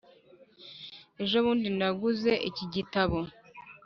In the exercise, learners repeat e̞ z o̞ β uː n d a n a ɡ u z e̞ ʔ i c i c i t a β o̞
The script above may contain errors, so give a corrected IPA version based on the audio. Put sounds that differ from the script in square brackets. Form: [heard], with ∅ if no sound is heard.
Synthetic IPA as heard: e̞ [ʒ] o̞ β uː n d [i] n a ɡ u z e̞ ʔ i c i [ɟ] i t a β o̞